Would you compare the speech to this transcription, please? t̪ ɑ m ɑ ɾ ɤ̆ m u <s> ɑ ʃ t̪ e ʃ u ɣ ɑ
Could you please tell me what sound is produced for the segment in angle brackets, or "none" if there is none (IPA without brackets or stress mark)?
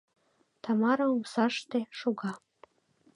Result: s